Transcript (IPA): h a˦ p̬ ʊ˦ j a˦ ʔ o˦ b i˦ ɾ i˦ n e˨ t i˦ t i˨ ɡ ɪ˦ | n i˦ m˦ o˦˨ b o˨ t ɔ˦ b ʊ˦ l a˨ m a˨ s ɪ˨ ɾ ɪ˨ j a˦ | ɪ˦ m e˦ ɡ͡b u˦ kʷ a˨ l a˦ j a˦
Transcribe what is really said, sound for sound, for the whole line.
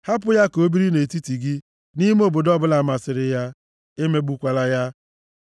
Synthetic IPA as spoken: h a˦ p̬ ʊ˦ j a˦ k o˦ b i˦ ɾ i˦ n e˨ t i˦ t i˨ ɡ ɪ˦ | n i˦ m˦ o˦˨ b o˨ d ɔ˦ b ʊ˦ l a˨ m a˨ s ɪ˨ ɾ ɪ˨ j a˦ | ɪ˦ m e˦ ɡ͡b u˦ kʷ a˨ l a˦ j a˦